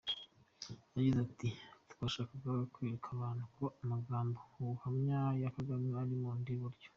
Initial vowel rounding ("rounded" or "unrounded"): unrounded